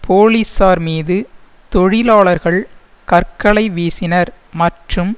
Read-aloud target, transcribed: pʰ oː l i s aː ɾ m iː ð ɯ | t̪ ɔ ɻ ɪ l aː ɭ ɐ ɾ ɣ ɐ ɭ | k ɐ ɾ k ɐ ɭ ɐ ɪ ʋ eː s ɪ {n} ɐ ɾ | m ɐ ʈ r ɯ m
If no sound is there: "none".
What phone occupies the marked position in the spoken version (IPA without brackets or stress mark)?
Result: n